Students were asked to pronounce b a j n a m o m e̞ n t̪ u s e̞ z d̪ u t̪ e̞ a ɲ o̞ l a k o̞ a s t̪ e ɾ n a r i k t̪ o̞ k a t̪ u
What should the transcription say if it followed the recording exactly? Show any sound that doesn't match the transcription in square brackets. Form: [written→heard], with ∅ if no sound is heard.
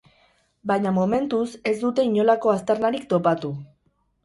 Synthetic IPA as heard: b a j [n→ɲ] a m o m e̞ n t̪ u s e̞ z d̪ u t̪ e̞ [a→i] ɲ o̞ l a k o̞ a s t̪ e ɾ n a [r→ɾ] i k t̪ o̞ [k→p] a t̪ u